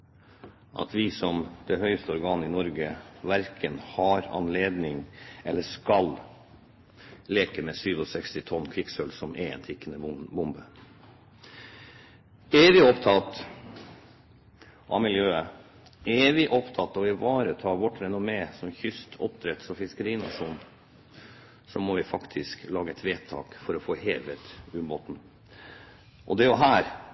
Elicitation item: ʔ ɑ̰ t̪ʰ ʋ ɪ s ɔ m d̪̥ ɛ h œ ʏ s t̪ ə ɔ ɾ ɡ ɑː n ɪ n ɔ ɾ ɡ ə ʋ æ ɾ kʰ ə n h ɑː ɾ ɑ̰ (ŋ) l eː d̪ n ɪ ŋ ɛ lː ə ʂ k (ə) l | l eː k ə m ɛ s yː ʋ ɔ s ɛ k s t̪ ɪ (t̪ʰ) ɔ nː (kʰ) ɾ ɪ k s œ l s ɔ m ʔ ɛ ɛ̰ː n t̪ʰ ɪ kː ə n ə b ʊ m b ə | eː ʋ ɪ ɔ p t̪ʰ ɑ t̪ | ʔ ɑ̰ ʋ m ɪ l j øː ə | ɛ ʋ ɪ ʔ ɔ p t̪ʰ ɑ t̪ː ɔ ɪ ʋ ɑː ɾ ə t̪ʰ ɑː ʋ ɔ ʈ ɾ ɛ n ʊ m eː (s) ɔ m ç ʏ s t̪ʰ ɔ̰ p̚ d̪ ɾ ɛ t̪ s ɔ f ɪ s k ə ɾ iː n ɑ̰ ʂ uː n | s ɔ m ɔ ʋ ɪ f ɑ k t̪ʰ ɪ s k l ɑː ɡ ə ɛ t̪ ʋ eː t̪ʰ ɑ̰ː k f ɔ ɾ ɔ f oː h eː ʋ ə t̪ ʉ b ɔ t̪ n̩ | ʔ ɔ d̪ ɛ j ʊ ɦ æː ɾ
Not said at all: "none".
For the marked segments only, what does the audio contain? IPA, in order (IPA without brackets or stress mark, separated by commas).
n, ɑ, t̪ʰ, kʰ, s